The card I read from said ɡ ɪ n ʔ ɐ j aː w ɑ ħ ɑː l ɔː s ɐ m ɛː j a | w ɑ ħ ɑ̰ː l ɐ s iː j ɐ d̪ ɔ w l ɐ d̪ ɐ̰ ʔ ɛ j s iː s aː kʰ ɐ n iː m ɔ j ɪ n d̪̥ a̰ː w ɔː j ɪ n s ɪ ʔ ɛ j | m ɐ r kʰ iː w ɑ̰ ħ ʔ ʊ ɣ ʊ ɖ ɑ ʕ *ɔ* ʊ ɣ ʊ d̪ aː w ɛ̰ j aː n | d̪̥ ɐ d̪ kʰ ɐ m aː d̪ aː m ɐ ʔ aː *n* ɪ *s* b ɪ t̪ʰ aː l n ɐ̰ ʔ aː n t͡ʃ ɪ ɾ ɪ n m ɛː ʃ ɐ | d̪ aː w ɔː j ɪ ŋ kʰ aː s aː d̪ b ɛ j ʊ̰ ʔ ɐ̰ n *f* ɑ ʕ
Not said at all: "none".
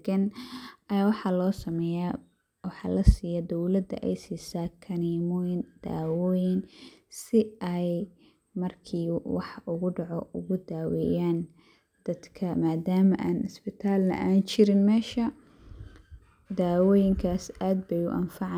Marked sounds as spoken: ɔ, n, s, f

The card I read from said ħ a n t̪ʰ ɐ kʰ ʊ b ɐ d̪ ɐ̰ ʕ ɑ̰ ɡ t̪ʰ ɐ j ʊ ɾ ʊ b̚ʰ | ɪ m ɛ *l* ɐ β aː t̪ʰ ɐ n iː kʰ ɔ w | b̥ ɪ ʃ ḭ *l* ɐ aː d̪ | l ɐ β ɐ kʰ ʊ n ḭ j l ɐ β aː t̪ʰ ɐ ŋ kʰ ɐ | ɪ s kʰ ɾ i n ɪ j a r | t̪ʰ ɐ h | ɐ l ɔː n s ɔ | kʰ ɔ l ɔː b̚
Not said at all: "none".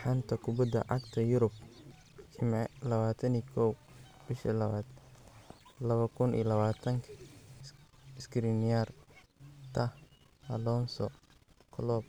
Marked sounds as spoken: l, l

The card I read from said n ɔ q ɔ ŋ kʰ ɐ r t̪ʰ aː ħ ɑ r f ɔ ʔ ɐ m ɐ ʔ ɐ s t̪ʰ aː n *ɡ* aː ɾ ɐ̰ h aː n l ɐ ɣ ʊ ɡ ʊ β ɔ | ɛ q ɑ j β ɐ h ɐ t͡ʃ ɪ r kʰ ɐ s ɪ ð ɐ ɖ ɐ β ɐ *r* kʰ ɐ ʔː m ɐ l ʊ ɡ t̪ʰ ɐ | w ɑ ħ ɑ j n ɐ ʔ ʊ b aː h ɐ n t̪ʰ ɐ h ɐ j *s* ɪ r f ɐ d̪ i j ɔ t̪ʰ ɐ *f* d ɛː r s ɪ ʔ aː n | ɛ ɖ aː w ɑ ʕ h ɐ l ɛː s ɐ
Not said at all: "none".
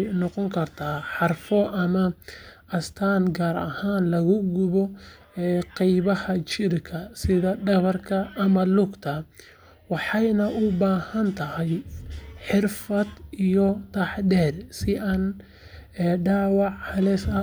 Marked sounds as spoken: ɡ, r, ħ, ħ

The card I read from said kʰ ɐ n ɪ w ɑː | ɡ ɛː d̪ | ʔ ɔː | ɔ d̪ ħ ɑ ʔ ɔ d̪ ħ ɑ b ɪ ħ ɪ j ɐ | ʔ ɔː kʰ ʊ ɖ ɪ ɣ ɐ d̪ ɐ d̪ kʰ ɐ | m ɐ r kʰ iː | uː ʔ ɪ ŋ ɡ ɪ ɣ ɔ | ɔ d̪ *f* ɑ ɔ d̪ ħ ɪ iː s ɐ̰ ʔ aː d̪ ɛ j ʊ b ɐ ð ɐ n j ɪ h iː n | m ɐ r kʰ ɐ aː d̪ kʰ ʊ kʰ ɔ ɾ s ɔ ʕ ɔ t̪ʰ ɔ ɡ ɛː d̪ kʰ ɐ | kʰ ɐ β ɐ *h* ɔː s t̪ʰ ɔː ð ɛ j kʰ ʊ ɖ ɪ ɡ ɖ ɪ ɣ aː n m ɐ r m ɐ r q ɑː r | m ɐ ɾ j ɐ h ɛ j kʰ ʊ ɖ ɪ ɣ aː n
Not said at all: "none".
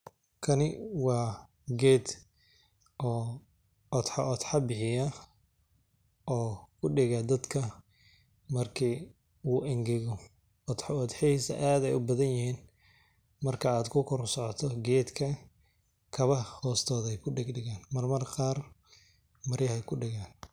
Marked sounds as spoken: ħ, h

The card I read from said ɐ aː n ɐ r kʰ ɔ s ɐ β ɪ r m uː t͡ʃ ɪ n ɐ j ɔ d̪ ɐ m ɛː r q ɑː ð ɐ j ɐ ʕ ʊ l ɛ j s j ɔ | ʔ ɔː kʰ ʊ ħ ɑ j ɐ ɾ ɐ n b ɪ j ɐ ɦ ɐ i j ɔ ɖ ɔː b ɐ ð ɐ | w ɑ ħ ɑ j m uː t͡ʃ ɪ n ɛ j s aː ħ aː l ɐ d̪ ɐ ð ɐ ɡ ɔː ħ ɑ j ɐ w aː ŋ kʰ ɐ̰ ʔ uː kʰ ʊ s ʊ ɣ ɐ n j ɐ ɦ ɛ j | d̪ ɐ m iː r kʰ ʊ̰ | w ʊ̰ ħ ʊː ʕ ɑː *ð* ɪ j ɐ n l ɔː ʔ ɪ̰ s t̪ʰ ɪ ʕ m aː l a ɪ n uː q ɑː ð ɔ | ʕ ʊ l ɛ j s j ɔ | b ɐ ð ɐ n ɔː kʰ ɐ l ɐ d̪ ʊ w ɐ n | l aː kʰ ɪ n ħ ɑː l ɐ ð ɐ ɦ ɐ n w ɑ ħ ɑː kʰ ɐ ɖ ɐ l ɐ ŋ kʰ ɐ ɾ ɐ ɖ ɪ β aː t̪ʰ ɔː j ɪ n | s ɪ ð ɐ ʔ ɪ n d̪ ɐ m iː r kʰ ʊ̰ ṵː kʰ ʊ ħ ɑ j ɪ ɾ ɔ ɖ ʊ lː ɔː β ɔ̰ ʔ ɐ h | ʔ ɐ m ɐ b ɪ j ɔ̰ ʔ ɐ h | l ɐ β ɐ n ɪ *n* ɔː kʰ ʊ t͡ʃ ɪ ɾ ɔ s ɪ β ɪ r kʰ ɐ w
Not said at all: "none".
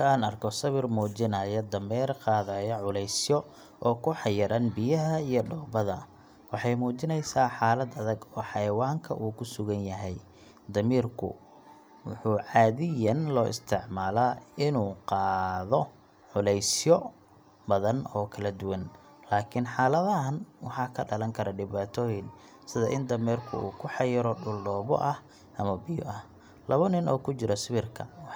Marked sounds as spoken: ð, n

